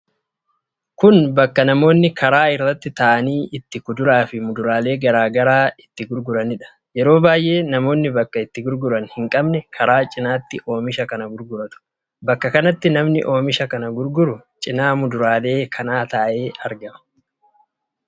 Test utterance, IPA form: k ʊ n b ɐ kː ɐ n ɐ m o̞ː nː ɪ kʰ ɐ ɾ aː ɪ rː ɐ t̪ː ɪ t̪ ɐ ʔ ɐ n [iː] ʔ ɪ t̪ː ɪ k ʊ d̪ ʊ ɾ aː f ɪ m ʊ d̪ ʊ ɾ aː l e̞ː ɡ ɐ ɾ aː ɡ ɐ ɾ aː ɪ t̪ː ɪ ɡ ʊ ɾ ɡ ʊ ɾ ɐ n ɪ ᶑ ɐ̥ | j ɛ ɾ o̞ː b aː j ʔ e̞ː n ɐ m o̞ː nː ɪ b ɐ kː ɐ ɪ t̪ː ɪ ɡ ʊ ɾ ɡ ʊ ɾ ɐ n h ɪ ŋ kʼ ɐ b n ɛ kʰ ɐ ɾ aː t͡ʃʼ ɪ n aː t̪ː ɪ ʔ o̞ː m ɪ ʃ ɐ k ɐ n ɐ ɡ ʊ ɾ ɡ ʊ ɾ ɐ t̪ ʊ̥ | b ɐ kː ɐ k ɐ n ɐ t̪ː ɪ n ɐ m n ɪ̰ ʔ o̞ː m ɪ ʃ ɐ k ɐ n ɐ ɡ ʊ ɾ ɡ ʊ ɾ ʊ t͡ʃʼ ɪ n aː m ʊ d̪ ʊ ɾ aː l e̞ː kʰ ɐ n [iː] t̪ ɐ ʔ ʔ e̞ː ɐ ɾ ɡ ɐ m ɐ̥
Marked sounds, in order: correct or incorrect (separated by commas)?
correct, incorrect